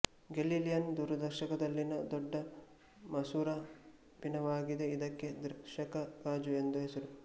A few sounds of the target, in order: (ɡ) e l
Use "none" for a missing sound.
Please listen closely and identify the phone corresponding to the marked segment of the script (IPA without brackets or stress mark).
ɡ